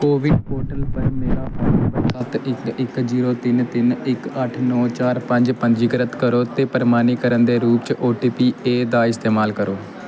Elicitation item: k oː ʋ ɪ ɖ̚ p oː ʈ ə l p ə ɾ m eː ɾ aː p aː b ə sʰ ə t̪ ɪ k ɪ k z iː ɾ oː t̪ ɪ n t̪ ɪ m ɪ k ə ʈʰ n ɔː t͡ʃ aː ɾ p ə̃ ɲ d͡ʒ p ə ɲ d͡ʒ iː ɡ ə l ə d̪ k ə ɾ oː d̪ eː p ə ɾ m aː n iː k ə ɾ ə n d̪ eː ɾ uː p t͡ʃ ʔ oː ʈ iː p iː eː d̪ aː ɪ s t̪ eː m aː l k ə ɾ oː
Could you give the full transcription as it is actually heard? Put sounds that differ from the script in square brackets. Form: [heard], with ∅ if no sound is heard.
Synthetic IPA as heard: k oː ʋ ɪ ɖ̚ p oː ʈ ə l p ə ɾ m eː ɾ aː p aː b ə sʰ ə t̪ ɪ k ɪ k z iː ɾ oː t̪ ɪ n t̪ ɪ [n] ɪ k ə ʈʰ n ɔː t͡ʃ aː ɾ p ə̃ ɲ d͡ʒ p ə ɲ d͡ʒ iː ɡ ə [ɾ] ə [t̪] k ə ɾ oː [t̪] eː p ə ɾ m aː n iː k ə ɾ ə n d̪ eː ɾ uː p t͡ʃ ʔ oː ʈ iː p iː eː d̪ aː ɪ s t̪ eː m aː l k ə ɾ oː